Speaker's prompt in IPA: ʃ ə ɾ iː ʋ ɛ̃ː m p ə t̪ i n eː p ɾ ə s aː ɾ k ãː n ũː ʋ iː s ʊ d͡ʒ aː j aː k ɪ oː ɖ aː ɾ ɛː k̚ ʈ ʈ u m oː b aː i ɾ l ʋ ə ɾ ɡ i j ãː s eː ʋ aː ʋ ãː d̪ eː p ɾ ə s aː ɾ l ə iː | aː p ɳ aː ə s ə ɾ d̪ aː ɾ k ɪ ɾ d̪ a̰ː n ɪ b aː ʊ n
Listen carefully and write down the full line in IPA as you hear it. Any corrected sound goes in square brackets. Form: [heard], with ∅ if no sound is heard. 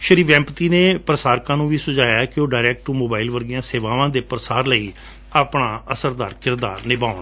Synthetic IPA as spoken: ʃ ə ɾ iː ʋ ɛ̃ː m p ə t̪ [iː] n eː p ɾ ə s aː ɾ k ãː n ũː ʋ iː s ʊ d͡ʒ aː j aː k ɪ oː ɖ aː ɾ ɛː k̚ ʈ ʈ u m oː b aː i [∅] l ʋ ə ɾ ɡ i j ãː s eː ʋ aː ʋ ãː d̪ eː p ɾ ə s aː ɾ l ə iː | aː p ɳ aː ə s ə ɾ d̪ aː ɾ k ɪ ɾ d̪ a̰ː n ɪ b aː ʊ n

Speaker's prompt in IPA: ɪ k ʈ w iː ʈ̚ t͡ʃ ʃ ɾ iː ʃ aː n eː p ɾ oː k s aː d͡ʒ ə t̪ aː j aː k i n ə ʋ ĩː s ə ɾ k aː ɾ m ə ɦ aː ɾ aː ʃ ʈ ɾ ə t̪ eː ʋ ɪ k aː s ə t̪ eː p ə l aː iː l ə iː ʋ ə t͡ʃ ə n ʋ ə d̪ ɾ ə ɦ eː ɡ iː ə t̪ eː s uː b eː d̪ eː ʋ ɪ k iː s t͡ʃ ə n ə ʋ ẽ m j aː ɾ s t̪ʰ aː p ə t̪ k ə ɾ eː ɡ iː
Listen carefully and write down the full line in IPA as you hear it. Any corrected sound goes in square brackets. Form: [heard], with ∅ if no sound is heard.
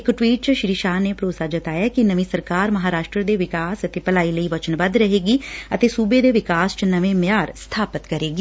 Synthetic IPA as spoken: ɪ k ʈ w iː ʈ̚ t͡ʃ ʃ ɾ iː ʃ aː n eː p ɾ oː [∅] s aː d͡ʒ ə t̪ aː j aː k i n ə ʋ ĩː s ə ɾ k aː ɾ m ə ɦ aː ɾ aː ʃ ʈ ɾ ə [d̪] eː ʋ ɪ k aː s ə t̪ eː p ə l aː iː l ə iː ʋ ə t͡ʃ ə n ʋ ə d̪ ɾ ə ɦ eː ɡ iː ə t̪ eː s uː b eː d̪ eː ʋ ɪ k [aː] s t͡ʃ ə n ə ʋ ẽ m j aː ɾ s t̪ʰ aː p ə t̪ k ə ɾ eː ɡ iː

